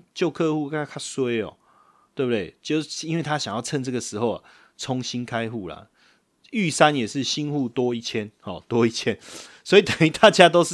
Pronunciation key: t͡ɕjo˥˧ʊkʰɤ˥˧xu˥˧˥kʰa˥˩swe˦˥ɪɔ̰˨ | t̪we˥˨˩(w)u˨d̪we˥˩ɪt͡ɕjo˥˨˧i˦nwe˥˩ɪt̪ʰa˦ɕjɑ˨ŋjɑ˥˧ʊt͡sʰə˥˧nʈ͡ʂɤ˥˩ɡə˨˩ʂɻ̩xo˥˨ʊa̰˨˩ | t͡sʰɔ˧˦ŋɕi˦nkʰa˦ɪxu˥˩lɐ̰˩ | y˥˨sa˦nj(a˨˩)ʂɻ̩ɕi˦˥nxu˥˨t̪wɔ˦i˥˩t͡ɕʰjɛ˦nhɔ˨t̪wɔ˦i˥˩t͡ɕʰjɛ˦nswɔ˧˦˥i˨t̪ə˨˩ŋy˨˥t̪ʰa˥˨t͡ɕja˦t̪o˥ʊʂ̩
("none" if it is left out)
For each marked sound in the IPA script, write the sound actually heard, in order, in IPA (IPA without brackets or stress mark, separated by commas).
b, ɛ˨˩